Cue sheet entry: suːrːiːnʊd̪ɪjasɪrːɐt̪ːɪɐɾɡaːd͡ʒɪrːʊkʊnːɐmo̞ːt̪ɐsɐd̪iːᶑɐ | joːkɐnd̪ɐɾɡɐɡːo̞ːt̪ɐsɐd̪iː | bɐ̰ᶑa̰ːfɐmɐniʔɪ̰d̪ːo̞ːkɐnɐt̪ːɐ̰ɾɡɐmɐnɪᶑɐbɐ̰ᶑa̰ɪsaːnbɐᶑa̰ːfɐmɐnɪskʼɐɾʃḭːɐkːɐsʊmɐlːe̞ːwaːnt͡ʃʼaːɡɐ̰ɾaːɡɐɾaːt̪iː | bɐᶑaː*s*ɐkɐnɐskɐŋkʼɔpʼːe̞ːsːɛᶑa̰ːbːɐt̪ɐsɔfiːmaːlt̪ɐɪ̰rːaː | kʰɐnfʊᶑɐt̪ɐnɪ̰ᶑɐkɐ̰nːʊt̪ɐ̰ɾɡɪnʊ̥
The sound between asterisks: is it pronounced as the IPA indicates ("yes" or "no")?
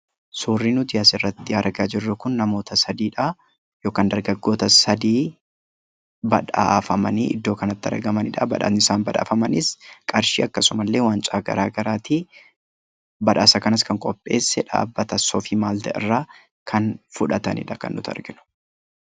yes